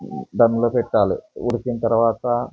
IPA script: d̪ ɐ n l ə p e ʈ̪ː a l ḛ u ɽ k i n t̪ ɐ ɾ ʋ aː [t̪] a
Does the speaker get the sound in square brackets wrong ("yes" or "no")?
no